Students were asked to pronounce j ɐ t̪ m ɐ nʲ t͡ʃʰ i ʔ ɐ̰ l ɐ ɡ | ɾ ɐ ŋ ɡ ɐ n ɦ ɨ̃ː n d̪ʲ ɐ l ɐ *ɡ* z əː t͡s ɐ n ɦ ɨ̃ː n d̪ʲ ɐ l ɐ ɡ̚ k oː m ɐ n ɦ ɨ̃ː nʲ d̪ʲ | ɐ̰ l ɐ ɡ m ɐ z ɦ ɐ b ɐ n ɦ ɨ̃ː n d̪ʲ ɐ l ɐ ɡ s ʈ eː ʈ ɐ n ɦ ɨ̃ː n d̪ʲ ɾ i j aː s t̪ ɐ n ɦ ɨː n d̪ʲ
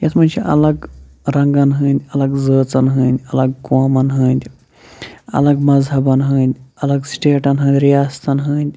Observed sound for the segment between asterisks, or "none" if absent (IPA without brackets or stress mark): ɡ